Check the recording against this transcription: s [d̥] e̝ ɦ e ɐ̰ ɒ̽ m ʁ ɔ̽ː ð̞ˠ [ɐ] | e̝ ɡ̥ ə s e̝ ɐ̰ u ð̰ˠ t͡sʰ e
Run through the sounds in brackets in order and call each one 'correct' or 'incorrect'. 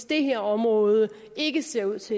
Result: correct, incorrect: ə

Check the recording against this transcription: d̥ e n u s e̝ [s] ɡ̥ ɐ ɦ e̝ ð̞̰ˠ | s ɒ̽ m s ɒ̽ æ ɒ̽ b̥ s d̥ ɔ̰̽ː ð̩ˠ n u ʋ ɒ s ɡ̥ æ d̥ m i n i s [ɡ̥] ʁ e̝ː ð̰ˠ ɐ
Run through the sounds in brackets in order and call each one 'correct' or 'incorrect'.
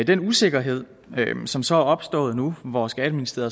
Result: incorrect: none, incorrect: d̥

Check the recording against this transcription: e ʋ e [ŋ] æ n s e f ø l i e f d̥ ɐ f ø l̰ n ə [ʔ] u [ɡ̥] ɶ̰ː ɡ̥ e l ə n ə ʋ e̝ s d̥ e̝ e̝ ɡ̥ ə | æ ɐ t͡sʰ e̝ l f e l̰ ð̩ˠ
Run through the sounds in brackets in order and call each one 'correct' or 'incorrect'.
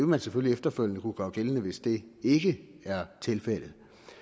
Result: incorrect: m, incorrect: k, correct

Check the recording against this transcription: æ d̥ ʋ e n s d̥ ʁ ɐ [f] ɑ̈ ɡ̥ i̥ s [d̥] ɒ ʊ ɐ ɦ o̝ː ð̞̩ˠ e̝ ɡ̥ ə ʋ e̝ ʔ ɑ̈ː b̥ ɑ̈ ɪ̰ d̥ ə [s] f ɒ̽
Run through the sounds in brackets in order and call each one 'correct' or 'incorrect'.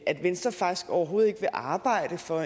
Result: correct, incorrect: ɡ̥, incorrect: none

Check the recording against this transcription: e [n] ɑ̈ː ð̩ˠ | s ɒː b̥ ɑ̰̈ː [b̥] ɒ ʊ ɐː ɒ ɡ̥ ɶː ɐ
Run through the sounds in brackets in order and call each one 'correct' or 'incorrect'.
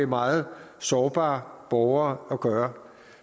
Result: incorrect: m, correct

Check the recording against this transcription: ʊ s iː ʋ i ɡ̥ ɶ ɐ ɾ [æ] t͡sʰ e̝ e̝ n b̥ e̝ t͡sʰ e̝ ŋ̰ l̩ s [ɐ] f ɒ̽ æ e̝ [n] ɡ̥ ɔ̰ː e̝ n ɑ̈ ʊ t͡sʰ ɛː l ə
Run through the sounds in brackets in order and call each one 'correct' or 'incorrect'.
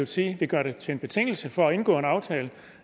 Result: incorrect: e, incorrect: ə, correct

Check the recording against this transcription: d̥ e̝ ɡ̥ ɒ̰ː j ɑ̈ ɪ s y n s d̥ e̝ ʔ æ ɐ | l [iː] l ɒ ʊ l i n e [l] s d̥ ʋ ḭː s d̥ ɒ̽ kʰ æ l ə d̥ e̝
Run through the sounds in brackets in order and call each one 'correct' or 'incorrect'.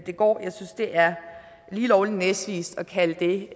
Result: correct, incorrect: none

